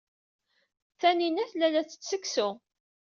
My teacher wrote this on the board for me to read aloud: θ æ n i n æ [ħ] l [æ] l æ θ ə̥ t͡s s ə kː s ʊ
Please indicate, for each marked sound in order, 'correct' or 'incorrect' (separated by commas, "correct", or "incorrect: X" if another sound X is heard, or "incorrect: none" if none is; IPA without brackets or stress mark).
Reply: incorrect: θ, correct